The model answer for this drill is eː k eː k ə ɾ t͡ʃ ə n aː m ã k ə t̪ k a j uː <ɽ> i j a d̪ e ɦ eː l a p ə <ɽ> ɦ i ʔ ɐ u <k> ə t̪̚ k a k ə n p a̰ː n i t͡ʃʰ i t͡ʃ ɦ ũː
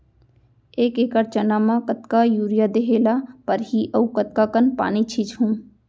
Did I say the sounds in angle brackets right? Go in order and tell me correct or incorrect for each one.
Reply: incorrect, incorrect, correct

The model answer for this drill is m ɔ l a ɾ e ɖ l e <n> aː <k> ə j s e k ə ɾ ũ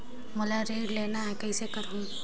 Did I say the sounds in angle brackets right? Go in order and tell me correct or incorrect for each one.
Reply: correct, correct

